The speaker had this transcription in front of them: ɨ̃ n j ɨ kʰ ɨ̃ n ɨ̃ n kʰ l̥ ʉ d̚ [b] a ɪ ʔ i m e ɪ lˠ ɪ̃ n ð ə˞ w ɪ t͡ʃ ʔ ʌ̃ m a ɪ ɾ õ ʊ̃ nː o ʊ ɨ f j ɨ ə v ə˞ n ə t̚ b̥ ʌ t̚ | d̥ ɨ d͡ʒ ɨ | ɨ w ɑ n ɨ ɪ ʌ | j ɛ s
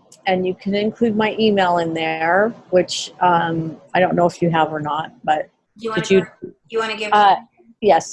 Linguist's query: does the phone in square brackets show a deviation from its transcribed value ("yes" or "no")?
yes